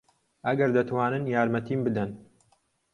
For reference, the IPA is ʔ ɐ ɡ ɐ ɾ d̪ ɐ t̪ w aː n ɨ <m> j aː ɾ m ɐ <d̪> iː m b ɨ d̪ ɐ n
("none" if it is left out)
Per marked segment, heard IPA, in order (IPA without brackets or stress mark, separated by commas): n, t̪